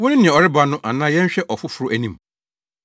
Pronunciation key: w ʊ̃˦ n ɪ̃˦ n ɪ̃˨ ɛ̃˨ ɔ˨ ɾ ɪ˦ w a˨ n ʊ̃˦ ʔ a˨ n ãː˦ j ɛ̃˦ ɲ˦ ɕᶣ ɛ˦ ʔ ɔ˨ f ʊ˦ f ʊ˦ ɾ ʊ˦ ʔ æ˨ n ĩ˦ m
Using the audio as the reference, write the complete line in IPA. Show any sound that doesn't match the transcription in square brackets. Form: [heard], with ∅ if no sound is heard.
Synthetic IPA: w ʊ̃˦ n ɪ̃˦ n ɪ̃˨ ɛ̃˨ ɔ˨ ɾ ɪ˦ [b] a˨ n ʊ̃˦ ʔ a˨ n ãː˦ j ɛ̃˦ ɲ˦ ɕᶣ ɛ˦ ʔ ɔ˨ f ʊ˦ f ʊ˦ ɾ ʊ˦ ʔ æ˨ n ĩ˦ m